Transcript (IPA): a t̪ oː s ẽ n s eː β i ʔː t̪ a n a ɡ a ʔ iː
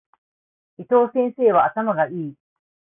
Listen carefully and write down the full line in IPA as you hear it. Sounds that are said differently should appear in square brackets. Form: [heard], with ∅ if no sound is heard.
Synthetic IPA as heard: [i] t̪ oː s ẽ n s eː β [a] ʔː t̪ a [m] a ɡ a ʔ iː